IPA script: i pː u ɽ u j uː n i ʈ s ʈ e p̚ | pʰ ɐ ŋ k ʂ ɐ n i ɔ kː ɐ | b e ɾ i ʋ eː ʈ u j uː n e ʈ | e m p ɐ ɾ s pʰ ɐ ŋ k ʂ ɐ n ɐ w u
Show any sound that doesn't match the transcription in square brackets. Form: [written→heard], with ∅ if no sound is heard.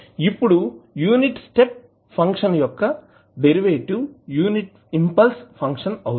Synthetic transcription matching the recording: i pː u ɽ u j uː n i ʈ s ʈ e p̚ | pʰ ɐ ŋ k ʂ ɐ n [i→j] ɔ kː ɐ | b e ɾ i ʋ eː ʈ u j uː n [e→i] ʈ | [e→i] m p ɐ [ɾ→l] s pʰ ɐ ŋ k ʂ ɐ n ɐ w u